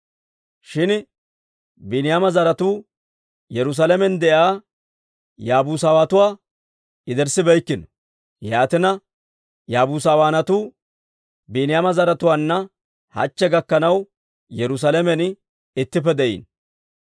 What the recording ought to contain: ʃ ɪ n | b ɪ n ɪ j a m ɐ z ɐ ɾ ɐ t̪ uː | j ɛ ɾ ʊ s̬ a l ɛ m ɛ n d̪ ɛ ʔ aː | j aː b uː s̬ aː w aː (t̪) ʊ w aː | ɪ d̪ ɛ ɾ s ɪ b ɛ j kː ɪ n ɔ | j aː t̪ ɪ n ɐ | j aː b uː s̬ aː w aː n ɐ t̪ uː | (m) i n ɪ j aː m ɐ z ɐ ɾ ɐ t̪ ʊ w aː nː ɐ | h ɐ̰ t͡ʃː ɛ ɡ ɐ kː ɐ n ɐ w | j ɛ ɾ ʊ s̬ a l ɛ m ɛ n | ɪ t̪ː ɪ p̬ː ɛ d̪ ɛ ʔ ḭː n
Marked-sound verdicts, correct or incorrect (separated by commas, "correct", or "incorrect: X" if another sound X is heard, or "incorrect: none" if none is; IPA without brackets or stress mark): correct, incorrect: b